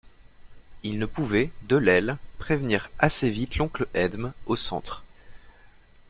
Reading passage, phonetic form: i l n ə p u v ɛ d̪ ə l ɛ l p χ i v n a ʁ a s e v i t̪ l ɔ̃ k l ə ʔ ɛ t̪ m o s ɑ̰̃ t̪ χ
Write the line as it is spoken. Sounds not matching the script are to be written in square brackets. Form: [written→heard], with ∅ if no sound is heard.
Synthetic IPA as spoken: i l n ə p u v ɛ d̪ ə l ɛ l p χ [i→e] v n [a→i] ʁ a s e v i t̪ l ɔ̃ k l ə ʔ ɛ [t̪→d̪] m o s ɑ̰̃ t̪ χ